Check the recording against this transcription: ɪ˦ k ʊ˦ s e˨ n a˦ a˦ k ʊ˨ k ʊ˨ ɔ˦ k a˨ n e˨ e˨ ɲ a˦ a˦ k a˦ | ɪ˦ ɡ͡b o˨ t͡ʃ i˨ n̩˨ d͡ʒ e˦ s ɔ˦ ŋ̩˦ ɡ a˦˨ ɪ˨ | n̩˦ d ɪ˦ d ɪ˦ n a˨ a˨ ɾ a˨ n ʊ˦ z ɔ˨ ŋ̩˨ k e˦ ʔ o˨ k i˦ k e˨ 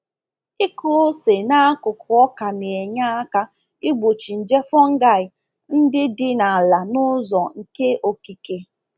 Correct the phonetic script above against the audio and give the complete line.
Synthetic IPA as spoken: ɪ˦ k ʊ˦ s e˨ n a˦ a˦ k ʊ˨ k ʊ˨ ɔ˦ k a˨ n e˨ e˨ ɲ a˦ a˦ k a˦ | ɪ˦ ɡ͡b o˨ t͡ʃ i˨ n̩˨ d͡ʒ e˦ f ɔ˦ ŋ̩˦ ɡ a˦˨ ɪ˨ | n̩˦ d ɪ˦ d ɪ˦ n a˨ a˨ l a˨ n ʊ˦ z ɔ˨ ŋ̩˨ k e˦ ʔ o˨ k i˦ k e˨